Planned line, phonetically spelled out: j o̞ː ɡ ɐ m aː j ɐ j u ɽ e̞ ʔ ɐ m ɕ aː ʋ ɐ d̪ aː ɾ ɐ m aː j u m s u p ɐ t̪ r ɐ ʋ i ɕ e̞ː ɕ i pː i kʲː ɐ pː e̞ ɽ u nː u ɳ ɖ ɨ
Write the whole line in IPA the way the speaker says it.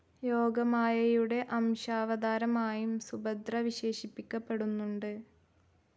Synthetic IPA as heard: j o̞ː ɡ ɐ m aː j ɐ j u ɽ e̞ ʔ ɐ m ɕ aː ʋ ɐ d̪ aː ɾ ɐ m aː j u m s u b ɐ d̪ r ɐ ʋ i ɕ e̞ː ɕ i pː i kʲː ɐ pː e̞ ɽ u nː u ɳ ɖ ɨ